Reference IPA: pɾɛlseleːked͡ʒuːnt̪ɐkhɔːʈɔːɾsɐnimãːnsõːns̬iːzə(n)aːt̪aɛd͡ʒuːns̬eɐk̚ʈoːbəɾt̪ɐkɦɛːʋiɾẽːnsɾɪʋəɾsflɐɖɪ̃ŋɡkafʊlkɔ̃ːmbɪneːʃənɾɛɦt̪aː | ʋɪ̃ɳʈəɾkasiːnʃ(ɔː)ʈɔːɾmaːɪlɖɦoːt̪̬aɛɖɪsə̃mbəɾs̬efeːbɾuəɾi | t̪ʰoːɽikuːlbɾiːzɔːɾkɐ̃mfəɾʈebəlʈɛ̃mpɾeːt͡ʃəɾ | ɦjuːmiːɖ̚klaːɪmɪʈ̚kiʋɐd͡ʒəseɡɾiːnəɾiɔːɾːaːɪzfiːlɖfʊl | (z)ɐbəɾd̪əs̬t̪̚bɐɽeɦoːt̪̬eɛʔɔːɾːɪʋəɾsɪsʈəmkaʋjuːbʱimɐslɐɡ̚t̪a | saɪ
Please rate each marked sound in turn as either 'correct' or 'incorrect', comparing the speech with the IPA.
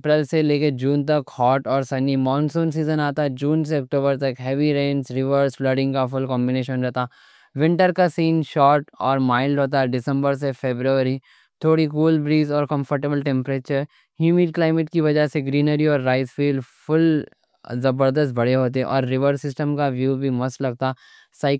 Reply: correct, correct, correct

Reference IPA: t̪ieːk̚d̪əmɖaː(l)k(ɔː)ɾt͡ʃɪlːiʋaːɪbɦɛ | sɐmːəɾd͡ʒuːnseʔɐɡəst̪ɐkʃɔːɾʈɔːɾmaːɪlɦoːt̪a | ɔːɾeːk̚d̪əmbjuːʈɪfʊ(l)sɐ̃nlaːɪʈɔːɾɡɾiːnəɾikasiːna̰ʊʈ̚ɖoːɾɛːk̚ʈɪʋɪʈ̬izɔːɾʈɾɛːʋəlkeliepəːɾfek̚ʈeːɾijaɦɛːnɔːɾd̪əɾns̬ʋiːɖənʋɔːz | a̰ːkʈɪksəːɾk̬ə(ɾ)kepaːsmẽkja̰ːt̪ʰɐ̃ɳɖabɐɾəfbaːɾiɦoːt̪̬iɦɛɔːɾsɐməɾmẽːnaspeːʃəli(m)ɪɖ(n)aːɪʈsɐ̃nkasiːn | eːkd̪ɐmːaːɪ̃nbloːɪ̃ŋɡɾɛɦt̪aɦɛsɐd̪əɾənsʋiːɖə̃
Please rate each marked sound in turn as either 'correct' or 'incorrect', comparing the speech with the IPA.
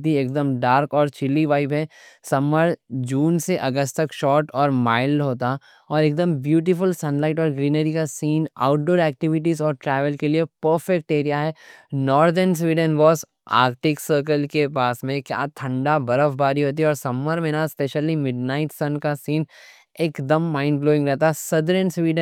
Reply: incorrect: ɾ, correct, correct, incorrect: l, correct, correct

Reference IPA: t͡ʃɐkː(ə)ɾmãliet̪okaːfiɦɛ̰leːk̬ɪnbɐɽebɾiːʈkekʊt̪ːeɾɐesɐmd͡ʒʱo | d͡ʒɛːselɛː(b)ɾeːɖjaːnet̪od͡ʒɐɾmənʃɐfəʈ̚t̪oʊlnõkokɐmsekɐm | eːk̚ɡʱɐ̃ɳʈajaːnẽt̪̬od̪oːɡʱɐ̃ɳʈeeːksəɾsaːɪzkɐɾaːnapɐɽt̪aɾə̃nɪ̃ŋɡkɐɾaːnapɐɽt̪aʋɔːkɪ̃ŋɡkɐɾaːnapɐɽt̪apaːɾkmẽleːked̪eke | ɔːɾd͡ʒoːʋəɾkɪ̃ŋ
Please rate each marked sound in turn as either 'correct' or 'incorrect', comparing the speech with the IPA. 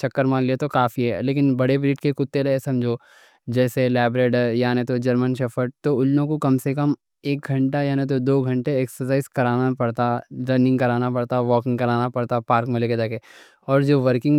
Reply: correct, correct

